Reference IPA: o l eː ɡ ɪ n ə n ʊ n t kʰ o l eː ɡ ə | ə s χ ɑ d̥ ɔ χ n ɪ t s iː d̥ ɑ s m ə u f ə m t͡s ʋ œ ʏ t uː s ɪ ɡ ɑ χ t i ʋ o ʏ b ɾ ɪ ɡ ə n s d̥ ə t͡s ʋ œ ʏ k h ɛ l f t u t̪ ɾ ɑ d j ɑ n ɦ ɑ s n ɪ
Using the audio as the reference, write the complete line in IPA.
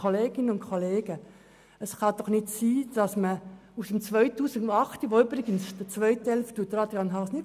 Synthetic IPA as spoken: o l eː ɡ ɪ n ə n ʊ n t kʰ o l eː ɡ ə | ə s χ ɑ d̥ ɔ χ n ɪ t s iː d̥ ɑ s m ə u s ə m t͡s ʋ œ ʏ t uː s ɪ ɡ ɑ χ t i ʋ o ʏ b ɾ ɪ ɡ ə n s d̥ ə t͡s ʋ œ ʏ t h ɛ l f t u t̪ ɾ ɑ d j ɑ n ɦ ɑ s n ɪ